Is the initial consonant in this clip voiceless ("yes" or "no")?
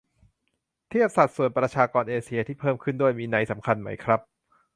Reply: yes